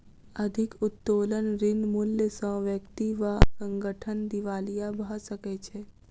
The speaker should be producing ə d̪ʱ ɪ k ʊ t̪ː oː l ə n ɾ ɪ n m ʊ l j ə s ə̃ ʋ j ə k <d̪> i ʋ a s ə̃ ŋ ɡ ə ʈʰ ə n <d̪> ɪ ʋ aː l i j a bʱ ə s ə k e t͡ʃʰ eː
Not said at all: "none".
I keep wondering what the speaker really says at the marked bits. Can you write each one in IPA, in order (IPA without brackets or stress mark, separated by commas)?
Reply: t̪, d̪